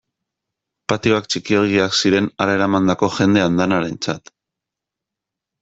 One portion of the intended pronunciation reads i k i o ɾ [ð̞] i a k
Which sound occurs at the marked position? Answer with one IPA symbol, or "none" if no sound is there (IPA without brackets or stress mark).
ɣ̞